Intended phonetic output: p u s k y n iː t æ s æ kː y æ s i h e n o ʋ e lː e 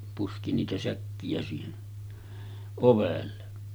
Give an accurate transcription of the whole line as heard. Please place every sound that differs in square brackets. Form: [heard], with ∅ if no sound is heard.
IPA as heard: p u s k [i] n iː t æ s æ kː [i] æ s [iː] h e n o ʋ e lː e